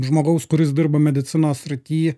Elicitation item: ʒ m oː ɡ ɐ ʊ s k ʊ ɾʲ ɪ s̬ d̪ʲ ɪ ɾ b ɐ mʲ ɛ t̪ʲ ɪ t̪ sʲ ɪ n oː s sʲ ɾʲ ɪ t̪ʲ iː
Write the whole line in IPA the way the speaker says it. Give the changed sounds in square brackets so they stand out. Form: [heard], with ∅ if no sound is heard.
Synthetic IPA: ʒ m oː ɡ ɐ ʊ s k ʊ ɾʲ ɪ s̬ d̪ʲ ɪ ɾ b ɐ mʲ ɛ [d̪ʲ] ɪ t̪ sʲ ɪ n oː s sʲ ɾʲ ɪ t̪ʲ iː